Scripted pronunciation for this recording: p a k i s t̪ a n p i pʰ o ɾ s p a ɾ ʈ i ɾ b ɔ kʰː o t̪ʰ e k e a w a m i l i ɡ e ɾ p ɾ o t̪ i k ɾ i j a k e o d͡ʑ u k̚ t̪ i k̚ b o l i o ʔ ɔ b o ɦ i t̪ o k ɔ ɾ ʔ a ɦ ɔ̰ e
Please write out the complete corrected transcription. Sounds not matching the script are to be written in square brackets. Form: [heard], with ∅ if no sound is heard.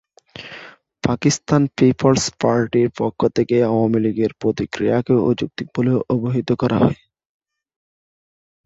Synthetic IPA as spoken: p a k i s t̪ a n p i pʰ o [l] s p a ɾ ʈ i ɾ [p] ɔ kʰː o t̪ʰ e k e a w a m i l i ɡ e ɾ p ɾ o t̪ i k ɾ i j a k e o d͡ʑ u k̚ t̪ i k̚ b o l [e] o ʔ [o] b o ɦ i t̪ o k ɔ ɾ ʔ a ɦ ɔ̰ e

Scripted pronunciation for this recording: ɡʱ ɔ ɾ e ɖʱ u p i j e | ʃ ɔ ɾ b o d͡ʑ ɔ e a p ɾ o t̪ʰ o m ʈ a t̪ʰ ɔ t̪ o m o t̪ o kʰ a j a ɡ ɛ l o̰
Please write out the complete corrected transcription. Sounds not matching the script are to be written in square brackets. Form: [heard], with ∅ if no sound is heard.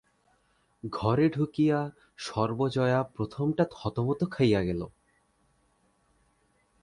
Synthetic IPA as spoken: ɡʱ ɔ ɾ e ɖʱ u [k] i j [a] | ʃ ɔ ɾ b o d͡ʑ ɔ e a p ɾ o t̪ʰ o m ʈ a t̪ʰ ɔ t̪ o m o t̪ o kʰ a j a ɡ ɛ l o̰

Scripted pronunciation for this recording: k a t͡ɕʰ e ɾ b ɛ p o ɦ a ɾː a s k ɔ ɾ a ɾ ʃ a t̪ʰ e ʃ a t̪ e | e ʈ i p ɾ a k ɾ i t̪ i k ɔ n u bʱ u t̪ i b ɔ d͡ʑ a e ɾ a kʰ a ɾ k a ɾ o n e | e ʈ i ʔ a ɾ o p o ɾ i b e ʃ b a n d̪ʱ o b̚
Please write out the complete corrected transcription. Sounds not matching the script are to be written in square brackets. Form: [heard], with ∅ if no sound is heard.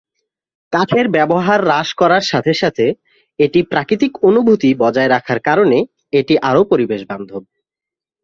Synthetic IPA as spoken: k a t͡ɕʰ e ɾ b ɛ [b] o ɦ a ɾː a [ʃ] k ɔ ɾ a ɾ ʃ a t̪ʰ e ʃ a [t̪ʰ] e | e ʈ i p ɾ a k ɾ i t̪ i k [o] n u bʱ u t̪ i b ɔ d͡ʑ a e ɾ a kʰ a ɾ k a ɾ o n e | e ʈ i ʔ a ɾ o p o ɾ i b e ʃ b a n d̪ʱ o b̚

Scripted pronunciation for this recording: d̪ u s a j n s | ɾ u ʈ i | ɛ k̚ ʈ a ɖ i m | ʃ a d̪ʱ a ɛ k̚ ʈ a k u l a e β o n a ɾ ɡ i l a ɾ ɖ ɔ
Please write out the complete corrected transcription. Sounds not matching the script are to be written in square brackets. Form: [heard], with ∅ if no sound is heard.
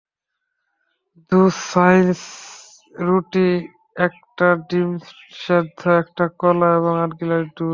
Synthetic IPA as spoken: d̪ u s a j n s | ɾ u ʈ i | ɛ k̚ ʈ a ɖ i m | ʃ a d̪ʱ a ɛ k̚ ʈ a k [ɔ] l a e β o [ŋ] a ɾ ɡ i l a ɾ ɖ [u]

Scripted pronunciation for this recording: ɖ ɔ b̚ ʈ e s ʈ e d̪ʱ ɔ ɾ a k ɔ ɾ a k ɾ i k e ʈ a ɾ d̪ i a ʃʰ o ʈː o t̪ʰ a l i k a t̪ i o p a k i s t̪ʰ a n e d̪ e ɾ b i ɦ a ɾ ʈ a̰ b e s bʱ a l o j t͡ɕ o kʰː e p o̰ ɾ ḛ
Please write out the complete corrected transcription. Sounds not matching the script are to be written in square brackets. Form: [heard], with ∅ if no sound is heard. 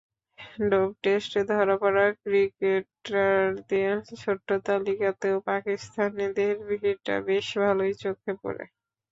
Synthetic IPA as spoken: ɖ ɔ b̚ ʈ e s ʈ e d̪ʱ ɔ ɾ a [p] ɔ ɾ a k ɾ i k e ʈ a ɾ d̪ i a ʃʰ o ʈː o [t̪] a l i k a t̪ [e] o p a k i s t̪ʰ a n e d̪ e ɾ b i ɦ [i] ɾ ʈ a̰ b e [ʃ] bʱ a l o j t͡ɕ o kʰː e p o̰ ɾ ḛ

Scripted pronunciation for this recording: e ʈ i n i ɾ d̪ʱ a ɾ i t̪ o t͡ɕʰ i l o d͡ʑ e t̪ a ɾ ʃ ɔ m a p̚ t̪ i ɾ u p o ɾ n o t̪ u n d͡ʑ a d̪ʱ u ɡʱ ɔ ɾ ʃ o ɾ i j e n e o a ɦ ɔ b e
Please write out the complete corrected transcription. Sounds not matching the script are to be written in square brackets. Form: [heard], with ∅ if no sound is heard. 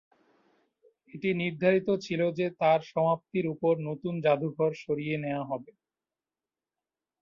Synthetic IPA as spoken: e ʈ i n i ɾ d̪ʱ a ɾ i t̪ o t͡ɕʰ i l o d͡ʑ e t̪ a ɾ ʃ ɔ m a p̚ t̪ i ɾ u p o ɾ n o t̪ u n d͡ʑ a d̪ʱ u ɡʱ ɔ ɾ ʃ o ɾ i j e n e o a ɦ ɔ b e

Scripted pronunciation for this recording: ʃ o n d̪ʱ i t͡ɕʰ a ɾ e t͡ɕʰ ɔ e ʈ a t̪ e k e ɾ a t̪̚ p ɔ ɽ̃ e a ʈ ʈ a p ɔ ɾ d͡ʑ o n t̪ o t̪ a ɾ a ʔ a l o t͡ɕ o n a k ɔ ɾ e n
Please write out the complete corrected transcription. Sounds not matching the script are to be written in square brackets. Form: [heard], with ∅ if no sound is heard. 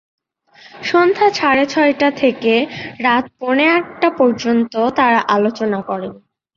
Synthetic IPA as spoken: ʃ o n d̪ʱ [a] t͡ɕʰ a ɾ e t͡ɕʰ ɔ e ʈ a [t̪ʰ] e k e ɾ a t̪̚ p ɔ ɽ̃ e a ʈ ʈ a p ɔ ɾ d͡ʑ o n t̪ o t̪ a ɾ a ʔ a l o t͡ɕ o n a k ɔ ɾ e n

